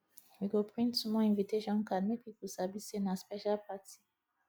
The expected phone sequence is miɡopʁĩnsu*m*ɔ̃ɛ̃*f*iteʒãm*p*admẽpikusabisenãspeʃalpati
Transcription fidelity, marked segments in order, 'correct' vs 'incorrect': correct, incorrect: v, incorrect: k

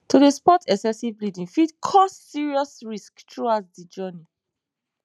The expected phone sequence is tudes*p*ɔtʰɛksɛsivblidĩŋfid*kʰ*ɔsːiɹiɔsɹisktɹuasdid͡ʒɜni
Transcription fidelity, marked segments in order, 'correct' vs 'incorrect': correct, correct

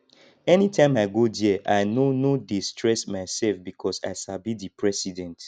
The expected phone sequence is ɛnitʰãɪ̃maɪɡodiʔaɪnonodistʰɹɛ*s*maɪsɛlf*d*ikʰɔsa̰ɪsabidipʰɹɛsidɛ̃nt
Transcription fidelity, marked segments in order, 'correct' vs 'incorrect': correct, incorrect: b

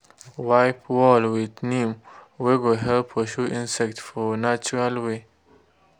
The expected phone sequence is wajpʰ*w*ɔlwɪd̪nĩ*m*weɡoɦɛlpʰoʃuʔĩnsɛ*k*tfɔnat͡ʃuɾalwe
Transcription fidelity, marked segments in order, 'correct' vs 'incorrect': correct, correct, correct

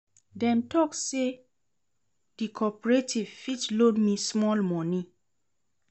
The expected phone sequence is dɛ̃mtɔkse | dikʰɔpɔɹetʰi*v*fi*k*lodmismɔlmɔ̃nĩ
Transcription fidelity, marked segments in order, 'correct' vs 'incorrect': correct, incorrect: t

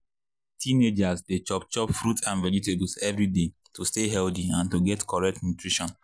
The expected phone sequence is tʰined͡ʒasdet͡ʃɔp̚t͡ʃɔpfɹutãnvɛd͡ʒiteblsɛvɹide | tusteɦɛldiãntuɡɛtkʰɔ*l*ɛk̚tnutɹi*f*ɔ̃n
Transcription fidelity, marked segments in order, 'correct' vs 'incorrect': incorrect: ɹ, incorrect: ʃ

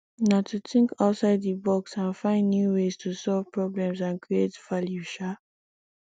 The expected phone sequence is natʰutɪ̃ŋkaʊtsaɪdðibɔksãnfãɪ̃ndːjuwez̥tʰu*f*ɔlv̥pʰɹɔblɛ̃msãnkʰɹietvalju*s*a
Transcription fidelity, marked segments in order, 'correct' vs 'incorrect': incorrect: s, incorrect: ʃ

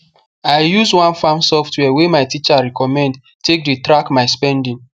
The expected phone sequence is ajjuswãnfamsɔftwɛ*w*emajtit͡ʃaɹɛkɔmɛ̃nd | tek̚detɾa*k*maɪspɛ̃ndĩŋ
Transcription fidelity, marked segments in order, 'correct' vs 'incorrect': correct, correct

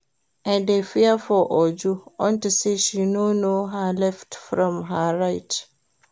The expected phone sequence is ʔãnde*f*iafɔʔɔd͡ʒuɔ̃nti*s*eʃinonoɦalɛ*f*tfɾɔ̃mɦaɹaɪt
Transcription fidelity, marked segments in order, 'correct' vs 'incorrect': correct, correct, correct

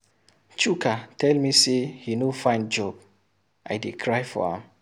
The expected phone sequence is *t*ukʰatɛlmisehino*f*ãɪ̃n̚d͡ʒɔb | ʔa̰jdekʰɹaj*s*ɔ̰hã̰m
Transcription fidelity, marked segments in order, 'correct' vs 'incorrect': incorrect: t͡ʃ, correct, incorrect: f

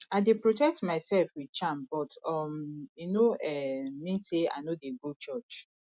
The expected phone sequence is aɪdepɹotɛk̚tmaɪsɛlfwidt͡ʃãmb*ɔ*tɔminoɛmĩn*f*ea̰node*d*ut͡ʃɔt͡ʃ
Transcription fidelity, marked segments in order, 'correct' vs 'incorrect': correct, incorrect: s, incorrect: ɡ

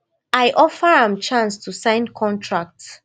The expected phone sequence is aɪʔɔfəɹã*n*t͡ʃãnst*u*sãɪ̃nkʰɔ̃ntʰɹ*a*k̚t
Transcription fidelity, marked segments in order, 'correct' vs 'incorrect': incorrect: m, correct, correct

